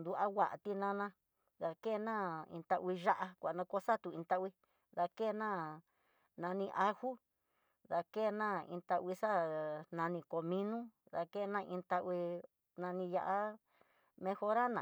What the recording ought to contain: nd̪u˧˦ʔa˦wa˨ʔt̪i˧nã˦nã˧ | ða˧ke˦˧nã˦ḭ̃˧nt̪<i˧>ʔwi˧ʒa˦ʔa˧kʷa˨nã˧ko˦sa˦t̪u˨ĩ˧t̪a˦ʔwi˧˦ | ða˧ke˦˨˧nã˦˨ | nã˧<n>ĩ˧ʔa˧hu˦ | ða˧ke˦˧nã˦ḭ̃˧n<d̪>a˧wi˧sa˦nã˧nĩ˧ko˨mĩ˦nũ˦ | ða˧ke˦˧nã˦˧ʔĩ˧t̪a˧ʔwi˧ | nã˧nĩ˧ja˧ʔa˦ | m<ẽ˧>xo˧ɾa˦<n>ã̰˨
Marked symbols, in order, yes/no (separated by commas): no, yes, no, yes, yes